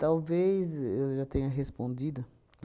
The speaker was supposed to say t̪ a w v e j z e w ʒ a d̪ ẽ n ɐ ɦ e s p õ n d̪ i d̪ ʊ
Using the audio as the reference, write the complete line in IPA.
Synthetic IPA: t̪ a w v e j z e w ʒ a t̪ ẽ ɲ ɐ ɦ e s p õ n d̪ i d̪ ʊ